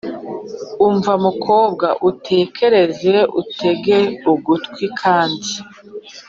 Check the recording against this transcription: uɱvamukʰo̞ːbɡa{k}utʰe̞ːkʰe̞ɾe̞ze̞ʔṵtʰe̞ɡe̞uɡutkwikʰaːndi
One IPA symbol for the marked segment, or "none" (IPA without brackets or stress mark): ʔ